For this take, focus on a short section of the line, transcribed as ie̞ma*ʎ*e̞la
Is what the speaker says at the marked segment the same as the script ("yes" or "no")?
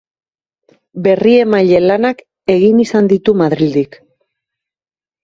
yes